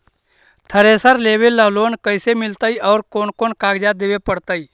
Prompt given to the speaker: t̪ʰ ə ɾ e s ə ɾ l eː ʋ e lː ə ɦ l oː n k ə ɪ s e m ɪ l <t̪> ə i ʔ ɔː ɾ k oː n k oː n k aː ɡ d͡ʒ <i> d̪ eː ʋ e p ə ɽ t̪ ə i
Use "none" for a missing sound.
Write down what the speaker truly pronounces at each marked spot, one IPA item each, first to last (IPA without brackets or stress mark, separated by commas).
t̪, a